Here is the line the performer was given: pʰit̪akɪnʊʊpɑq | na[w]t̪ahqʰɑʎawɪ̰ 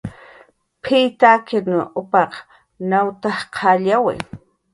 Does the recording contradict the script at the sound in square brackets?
no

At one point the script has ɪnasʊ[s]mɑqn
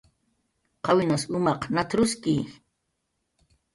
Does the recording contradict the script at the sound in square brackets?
yes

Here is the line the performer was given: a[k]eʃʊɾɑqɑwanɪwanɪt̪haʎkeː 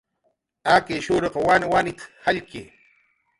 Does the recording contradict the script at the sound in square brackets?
no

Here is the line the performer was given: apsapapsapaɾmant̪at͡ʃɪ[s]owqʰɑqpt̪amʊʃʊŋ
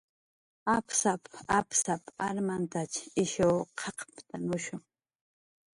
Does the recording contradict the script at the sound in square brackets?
yes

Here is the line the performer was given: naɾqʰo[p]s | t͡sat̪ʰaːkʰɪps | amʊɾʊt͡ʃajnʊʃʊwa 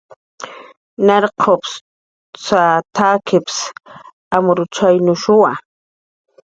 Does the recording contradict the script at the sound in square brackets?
no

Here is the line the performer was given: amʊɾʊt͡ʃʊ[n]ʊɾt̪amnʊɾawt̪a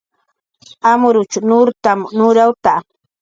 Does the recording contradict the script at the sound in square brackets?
no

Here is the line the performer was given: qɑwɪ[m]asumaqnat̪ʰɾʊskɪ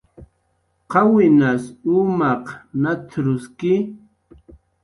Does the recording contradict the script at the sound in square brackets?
yes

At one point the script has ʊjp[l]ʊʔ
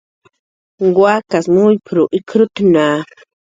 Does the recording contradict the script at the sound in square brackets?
yes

